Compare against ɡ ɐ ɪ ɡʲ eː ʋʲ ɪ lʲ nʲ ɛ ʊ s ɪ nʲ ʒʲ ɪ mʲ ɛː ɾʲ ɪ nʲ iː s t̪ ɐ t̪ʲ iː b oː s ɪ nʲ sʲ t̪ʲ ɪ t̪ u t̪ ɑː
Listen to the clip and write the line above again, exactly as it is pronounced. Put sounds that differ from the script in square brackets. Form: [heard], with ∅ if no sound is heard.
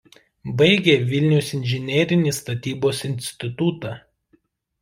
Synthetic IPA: [b] ɐ ɪ ɡʲ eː ʋʲ ɪ lʲ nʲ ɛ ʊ s ɪ nʲ ʒʲ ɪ [nʲ] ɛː ɾʲ ɪ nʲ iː s t̪ ɐ t̪ʲ iː b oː s ɪ nʲ sʲ t̪ʲ ɪ t̪ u t̪ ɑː